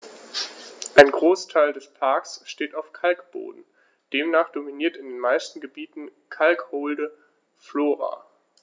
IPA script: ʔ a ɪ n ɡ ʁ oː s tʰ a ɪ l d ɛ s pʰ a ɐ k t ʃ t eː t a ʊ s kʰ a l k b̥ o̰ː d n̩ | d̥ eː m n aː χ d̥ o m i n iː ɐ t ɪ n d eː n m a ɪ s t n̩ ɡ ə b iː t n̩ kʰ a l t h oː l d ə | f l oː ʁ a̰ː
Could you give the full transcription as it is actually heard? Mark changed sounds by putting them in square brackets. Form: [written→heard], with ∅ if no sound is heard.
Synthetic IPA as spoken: ʔ a ɪ n ɡ ʁ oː s tʰ a ɪ l d ɛ s pʰ a ɐ k [t→s] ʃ t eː t a ʊ [s→f] kʰ a l k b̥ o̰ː d n̩ | d̥ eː m n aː χ d̥ o m i n iː ɐ t ɪ n d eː n m a ɪ s t n̩ ɡ ə b iː t n̩ kʰ a l [t→k] h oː l d ə | f l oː ʁ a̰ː